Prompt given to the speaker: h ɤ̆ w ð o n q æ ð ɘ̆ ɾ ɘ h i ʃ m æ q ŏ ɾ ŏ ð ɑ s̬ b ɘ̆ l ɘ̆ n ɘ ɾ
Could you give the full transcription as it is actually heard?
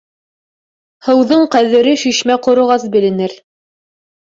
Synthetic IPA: h ɤ̆ w ð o ɴ q æ ð ɘ̆ ɾ ɘ ʃ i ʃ m æ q ŏ ɾ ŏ ʁ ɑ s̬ b ɘ̆ l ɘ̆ n ɘ ɾ